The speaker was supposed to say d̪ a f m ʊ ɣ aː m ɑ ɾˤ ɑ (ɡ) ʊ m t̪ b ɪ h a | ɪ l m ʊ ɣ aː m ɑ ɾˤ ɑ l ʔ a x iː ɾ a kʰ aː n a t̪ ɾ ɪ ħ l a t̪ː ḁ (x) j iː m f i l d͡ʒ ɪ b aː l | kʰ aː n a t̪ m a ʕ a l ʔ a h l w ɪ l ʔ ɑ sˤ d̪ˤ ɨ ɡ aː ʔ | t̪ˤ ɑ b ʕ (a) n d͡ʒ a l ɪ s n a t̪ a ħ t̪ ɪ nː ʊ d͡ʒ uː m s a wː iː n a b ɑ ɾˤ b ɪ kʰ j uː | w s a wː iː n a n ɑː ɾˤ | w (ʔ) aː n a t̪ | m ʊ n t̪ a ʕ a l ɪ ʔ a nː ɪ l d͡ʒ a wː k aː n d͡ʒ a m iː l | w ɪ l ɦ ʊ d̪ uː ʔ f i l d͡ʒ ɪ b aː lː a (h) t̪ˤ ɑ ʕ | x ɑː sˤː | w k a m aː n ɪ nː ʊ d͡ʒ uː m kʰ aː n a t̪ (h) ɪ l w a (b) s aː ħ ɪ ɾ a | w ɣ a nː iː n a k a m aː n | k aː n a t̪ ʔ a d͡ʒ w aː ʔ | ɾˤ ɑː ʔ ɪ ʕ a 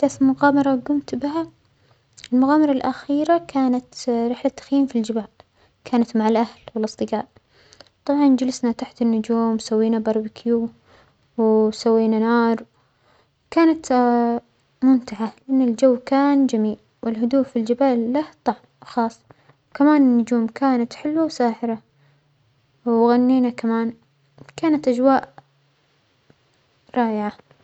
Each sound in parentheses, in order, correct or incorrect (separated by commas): correct, correct, incorrect, incorrect, correct, incorrect, incorrect